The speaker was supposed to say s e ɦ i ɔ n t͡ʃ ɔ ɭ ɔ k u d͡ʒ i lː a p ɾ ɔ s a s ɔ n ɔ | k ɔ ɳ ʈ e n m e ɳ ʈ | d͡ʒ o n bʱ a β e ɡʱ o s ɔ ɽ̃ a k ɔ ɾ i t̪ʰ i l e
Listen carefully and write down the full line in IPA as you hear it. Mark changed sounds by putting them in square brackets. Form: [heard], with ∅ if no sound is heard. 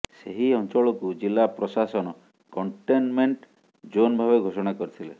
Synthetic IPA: s e ɦ i ɔ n t͡ʃ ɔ ɭ ɔ k u d͡ʒ i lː a p ɾ ɔ s a s ɔ n ɔ | k ɔ ɳ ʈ e n m e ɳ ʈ | d͡ʒ o n bʱ a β e ɡʱ o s ɔ ɽ̃ a k ɔ ɾ i t̪ʰ i l e